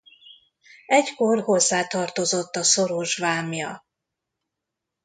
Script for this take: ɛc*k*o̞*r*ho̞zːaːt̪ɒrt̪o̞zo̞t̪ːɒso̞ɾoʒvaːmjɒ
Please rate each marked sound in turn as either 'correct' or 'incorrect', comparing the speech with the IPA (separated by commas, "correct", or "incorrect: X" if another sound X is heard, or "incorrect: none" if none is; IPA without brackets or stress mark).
correct, correct